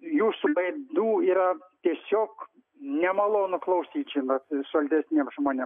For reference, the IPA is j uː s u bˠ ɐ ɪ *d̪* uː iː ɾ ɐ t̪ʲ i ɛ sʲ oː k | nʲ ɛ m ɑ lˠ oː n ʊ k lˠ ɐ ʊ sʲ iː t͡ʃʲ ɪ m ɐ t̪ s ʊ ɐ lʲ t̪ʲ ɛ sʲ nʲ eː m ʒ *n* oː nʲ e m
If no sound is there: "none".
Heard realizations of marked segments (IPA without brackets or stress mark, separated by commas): d̪, m